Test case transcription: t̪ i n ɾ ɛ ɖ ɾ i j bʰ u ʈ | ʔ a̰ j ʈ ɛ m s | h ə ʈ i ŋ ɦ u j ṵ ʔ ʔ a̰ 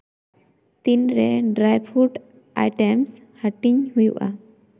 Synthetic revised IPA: t̪ i n ɾ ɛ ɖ ɾ a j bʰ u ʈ | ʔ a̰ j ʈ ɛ m s | h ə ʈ i ɲ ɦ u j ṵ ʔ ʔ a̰